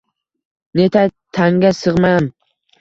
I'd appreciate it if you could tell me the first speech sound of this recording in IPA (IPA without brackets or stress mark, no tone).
n